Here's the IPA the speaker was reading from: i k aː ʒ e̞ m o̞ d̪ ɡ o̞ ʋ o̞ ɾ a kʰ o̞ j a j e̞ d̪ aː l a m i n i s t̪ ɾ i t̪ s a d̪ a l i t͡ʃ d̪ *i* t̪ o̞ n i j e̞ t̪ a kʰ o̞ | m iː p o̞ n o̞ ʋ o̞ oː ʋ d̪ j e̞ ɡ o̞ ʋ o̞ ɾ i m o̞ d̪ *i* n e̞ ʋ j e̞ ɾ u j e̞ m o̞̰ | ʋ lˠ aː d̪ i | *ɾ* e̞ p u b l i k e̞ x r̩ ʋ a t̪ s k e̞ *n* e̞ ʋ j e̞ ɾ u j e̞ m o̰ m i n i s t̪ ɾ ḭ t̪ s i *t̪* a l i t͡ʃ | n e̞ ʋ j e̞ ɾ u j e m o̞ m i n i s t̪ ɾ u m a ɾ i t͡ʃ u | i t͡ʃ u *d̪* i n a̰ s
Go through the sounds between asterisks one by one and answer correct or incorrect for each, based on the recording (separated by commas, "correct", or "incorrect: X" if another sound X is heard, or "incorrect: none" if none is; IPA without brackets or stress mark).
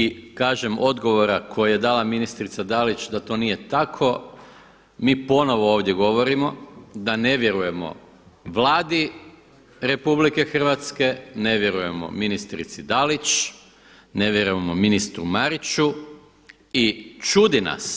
incorrect: a, incorrect: a, correct, correct, incorrect: d̪, correct